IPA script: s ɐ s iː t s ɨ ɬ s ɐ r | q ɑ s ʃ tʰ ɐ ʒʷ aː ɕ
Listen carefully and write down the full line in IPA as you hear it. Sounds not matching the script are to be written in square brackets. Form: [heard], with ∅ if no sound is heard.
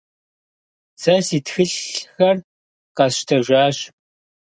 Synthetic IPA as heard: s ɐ s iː t [x] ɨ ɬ [x] ɐ r | q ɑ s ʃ tʰ ɐ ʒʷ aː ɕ